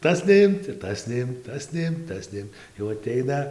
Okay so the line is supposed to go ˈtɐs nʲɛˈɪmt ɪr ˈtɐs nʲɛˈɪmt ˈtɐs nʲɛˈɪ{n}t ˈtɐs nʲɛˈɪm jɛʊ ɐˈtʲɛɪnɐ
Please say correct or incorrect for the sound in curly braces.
incorrect